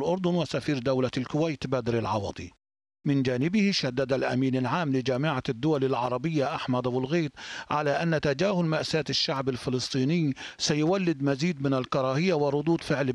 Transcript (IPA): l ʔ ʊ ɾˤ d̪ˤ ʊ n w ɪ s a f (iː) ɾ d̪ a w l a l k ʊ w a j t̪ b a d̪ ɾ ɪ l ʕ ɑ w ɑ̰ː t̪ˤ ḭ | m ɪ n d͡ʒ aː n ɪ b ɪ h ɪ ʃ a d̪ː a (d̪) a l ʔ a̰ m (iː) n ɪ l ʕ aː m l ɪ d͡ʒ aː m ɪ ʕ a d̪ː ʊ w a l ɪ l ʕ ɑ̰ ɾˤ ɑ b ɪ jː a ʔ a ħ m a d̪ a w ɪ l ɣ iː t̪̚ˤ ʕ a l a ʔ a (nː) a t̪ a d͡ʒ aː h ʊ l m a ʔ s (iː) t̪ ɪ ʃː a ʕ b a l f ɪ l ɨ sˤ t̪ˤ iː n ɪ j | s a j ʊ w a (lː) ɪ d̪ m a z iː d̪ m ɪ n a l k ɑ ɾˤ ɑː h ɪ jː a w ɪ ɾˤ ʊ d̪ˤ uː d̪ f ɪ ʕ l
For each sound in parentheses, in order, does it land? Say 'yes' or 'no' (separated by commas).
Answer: yes, yes, yes, yes, no, yes